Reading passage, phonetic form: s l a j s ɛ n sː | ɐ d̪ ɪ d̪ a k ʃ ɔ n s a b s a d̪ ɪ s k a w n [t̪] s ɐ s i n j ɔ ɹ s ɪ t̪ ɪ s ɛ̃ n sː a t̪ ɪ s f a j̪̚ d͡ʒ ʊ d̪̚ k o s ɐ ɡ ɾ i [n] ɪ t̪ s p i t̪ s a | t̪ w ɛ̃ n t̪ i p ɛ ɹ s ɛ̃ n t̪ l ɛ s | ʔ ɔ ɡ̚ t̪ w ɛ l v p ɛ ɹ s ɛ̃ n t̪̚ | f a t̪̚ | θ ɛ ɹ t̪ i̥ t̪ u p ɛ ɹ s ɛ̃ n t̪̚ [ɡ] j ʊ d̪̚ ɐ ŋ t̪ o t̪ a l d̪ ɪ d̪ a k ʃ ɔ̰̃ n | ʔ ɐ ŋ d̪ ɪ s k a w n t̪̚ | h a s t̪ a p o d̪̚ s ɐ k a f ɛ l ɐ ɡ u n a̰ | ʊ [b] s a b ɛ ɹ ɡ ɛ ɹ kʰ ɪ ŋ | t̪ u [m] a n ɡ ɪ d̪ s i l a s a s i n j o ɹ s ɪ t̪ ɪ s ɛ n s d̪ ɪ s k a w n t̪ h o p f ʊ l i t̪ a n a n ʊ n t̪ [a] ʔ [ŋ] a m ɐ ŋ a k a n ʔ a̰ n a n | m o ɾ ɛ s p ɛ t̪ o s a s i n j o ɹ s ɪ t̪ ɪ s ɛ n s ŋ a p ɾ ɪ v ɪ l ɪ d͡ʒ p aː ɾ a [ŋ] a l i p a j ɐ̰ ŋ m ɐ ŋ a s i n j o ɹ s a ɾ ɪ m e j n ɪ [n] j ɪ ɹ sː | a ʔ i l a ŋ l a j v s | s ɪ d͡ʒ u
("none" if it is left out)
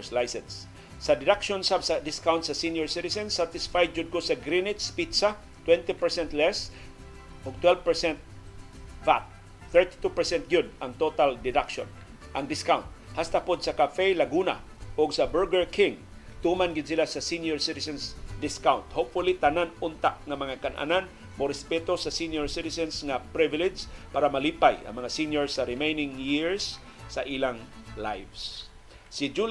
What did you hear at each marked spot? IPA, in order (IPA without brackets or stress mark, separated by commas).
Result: t̪, n, ɡ, ɡ, m, a, ŋ, m, ŋ